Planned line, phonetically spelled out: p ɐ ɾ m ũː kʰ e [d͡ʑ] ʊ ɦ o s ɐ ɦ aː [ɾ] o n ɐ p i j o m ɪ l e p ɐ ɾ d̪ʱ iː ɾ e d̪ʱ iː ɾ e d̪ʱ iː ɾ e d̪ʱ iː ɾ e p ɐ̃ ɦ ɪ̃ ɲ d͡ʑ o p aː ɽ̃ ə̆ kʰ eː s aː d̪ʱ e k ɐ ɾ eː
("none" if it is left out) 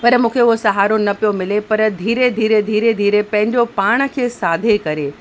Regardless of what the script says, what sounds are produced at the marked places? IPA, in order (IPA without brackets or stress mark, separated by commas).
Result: none, ɾ